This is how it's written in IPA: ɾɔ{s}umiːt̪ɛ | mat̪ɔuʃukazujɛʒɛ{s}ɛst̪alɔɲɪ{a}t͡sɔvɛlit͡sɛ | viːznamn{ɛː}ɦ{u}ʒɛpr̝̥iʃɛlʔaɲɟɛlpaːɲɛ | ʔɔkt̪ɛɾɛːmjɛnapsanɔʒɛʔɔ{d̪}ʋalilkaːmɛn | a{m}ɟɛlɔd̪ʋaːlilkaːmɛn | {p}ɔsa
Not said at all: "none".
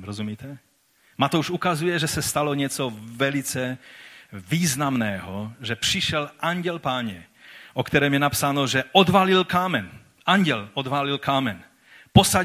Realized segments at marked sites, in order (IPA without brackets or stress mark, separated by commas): z, s, ɛ, ɛː, ɔ, d̪, ɲ, p